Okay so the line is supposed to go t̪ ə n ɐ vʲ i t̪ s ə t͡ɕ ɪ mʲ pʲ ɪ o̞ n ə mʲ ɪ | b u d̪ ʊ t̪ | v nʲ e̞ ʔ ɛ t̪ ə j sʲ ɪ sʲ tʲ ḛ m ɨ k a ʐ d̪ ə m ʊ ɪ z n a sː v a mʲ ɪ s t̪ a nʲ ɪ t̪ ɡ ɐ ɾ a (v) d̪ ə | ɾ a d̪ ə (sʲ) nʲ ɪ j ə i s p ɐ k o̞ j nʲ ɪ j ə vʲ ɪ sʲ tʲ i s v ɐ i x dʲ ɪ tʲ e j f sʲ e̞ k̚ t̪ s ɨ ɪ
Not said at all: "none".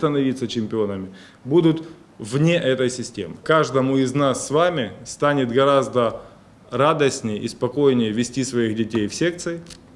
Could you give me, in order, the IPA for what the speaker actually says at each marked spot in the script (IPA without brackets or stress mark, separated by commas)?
z, sʲ